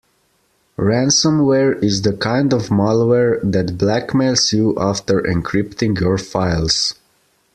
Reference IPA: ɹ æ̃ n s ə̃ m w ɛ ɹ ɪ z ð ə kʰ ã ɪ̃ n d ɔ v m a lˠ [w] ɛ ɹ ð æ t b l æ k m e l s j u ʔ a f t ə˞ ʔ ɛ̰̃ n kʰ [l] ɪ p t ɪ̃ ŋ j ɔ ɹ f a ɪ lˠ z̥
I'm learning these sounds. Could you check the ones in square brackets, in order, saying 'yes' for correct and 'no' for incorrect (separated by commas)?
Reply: yes, no